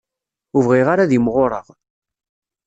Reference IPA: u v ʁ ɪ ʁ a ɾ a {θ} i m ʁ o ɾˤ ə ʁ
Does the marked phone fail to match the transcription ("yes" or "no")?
yes